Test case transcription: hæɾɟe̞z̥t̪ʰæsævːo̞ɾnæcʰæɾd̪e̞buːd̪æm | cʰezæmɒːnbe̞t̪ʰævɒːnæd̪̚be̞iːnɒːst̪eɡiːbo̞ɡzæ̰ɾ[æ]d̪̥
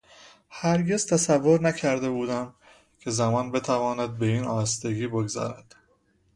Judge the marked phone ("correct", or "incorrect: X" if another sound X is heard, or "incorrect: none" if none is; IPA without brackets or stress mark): correct